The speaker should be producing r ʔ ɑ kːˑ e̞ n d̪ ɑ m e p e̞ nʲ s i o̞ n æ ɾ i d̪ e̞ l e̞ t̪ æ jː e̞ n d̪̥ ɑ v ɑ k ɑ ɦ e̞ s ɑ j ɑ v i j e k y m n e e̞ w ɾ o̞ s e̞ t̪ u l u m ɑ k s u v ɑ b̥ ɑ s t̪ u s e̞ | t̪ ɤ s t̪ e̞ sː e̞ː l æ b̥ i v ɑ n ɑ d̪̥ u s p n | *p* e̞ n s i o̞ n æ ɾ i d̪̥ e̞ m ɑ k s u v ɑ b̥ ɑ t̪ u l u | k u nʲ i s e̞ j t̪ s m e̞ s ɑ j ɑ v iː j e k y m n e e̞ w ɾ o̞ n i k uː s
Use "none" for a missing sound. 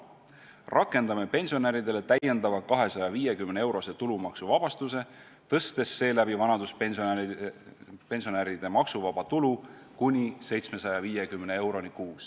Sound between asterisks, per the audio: p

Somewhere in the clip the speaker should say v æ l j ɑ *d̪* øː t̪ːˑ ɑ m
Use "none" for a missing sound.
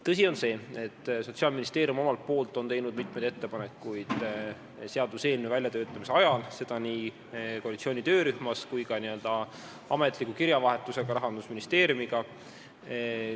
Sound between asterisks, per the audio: t̪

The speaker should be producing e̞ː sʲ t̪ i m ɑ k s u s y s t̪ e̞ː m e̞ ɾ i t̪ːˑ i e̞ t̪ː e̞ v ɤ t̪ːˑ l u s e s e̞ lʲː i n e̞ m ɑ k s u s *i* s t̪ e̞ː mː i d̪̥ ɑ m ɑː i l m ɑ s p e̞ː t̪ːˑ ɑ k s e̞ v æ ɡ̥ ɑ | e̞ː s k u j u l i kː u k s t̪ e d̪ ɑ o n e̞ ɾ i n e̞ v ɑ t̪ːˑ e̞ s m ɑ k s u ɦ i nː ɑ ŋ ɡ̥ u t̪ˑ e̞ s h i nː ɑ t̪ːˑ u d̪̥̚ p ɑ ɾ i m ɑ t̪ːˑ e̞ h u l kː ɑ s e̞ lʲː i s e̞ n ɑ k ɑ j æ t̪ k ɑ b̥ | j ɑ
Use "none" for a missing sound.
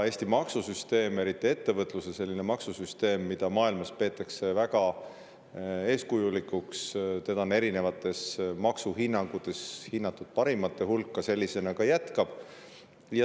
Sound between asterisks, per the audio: y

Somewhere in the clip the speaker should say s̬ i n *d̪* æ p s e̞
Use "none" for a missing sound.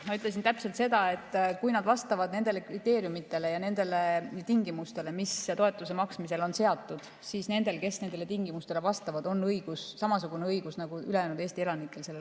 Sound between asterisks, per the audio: t̪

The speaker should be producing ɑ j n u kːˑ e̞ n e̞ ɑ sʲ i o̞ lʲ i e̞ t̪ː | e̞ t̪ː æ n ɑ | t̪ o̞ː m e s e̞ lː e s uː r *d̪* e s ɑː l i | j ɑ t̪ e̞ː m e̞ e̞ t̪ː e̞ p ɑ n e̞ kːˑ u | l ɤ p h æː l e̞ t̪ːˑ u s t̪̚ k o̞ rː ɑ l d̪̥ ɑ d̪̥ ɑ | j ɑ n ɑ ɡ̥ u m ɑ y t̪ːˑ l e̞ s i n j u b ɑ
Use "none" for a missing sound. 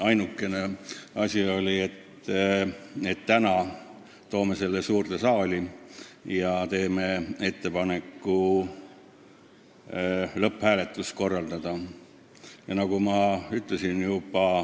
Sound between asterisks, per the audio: t̪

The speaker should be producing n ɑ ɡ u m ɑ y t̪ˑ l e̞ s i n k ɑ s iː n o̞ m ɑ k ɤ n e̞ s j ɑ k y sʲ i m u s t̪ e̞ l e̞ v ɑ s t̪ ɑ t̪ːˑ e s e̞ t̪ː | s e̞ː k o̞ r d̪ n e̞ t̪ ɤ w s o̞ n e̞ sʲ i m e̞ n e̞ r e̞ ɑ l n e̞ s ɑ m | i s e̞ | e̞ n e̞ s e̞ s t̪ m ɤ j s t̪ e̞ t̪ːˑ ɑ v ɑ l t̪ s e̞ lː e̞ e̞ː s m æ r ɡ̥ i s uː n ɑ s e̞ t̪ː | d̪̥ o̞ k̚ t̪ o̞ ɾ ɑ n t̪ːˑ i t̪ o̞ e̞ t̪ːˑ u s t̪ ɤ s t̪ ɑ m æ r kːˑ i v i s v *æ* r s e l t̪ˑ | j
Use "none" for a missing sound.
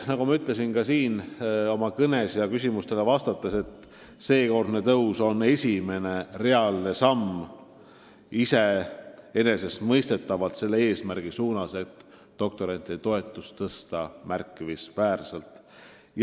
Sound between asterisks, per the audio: æː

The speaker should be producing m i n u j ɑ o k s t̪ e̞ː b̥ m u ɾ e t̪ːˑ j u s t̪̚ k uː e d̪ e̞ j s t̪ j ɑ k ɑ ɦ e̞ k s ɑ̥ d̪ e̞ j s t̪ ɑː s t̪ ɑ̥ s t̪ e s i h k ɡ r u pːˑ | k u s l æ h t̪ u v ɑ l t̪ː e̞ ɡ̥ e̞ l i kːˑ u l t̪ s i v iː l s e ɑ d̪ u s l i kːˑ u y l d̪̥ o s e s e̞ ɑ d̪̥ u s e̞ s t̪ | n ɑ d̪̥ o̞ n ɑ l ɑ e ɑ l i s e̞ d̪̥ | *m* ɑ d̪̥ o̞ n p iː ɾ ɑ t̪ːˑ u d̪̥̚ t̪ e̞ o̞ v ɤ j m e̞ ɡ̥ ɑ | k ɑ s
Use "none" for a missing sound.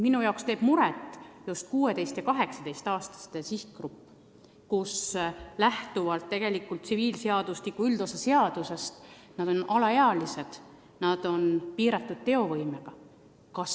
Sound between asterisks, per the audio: n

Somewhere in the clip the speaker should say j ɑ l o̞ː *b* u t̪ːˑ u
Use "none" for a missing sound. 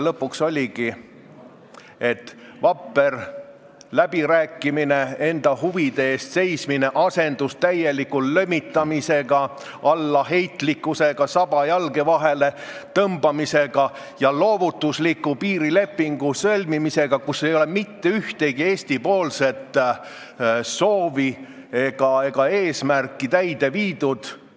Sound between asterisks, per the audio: v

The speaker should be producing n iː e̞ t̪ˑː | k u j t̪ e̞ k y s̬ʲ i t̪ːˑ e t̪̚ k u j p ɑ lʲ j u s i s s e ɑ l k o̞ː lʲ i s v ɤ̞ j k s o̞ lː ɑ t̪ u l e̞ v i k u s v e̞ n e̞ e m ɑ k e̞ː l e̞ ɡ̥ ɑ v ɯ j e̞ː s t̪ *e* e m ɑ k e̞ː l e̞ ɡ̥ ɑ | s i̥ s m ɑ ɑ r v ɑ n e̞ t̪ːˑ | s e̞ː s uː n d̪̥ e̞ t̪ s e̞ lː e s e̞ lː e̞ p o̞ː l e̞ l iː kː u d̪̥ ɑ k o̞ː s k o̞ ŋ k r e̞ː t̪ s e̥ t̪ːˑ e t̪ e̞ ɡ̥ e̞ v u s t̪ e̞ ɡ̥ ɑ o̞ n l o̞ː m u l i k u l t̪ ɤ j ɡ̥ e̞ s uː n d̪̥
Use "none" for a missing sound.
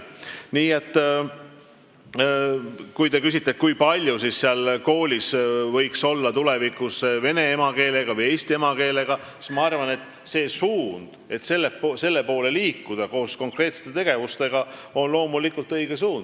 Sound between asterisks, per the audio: i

